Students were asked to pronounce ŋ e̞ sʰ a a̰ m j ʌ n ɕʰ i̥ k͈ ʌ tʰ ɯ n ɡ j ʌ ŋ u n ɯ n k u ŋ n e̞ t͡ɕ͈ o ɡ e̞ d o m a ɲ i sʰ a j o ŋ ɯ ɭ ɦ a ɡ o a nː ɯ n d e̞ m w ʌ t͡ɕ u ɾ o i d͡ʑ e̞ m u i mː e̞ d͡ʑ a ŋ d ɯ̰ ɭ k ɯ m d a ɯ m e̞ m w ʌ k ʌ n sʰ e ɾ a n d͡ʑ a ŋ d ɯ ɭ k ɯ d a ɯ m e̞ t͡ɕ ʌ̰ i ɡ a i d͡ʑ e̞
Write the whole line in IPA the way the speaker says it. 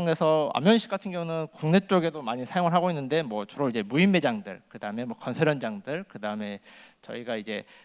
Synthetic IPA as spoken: ŋ e̞ sʰ ʌ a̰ m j ʌ n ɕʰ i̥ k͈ a tʰ ɯ n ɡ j ʌ ŋ u n ɯ n k u ŋ n e̞ t͡ɕ͈ o ɡ e̞ d o m a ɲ i sʰ a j o ŋ ɯ ɭ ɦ a ɡ o i nː ɯ n d e̞ m w ʌ t͡ɕ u ɾ o i d͡ʑ e̞ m u i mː e̞ d͡ʑ a ŋ d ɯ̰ ɭ k ɯ d a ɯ m e̞ m w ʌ k ʌ n sʰ e ɾ ʌ n d͡ʑ a ŋ d ɯ ɭ k ɯ d a ɯ m e̞ t͡ɕ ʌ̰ i ɡ a i d͡ʑ e̞